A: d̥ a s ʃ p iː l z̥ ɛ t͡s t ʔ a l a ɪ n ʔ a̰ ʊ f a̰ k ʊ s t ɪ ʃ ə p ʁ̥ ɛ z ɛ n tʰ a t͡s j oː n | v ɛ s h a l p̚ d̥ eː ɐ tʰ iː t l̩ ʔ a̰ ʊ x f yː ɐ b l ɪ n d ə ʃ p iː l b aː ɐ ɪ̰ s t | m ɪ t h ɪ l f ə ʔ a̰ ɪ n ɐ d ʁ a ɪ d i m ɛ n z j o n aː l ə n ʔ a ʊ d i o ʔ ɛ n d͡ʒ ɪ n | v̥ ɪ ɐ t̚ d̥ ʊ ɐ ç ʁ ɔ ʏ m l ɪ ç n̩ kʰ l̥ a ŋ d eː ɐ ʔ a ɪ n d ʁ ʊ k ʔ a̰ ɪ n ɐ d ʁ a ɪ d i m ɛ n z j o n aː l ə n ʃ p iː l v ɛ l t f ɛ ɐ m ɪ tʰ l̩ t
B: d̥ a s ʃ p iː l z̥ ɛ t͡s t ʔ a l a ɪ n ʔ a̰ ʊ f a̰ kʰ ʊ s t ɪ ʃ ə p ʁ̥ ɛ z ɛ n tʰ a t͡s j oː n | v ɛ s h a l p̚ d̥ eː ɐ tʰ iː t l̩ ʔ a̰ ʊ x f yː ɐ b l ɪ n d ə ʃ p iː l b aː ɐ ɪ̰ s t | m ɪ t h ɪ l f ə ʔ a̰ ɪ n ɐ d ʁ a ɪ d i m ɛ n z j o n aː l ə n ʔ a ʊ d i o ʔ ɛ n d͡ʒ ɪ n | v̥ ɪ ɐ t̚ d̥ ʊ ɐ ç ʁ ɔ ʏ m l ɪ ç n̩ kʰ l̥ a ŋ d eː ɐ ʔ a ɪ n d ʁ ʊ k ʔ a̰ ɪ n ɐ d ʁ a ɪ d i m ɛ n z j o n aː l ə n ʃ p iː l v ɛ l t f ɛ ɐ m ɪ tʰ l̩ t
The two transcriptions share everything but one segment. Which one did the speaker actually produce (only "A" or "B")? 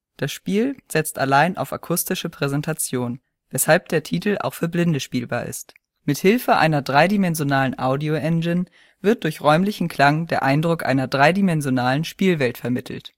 B